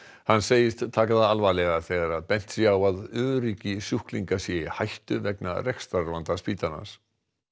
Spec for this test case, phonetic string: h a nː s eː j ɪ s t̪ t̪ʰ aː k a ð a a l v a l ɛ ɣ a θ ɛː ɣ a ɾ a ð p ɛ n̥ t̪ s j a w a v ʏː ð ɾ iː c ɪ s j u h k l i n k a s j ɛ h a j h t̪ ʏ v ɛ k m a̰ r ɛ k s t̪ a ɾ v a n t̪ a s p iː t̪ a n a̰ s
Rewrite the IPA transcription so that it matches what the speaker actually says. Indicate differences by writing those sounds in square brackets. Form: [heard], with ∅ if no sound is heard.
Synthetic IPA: h a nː s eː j ɪ s t̪ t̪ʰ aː k a ð a a l v a l ɛ ɣ a θ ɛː ɣ a ɾ a ð p ɛ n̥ t̪ s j a w a [ð] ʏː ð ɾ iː c ɪ s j u h k l i [ŋ] k a s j ɛ h a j h t̪ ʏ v ɛ k [n] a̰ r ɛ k s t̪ a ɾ v a n t̪ a s p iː t̪ a n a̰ s